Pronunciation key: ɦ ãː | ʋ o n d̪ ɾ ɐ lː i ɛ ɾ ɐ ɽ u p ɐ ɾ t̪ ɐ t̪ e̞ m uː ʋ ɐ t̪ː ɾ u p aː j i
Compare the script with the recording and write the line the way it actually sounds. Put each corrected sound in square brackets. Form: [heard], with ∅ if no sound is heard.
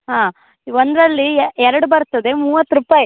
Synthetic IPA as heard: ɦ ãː | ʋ o n d̪ ɾ ɐ lː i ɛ ɾ ɐ ɽ u [b] ɐ ɾ t̪ ɐ [d̪] e̞ m uː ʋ ɐ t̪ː ɾ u p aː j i